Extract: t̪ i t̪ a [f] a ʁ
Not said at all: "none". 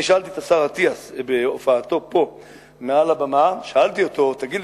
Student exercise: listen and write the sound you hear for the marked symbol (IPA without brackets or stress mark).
s